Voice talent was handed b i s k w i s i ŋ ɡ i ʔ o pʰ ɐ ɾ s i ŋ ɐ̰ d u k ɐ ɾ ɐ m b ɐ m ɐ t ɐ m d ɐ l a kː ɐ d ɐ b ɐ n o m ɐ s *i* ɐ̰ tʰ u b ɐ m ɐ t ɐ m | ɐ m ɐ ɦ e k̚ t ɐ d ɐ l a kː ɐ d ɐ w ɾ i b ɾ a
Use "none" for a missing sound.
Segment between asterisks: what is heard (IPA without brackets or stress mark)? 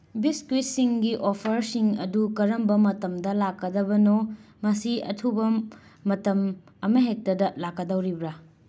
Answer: i